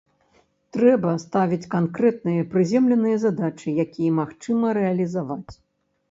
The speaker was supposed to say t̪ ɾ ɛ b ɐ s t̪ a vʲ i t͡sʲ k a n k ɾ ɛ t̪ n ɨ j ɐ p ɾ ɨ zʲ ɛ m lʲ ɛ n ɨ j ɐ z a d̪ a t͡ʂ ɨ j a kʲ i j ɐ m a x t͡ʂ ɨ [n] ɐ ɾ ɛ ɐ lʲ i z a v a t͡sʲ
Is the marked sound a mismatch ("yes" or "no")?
yes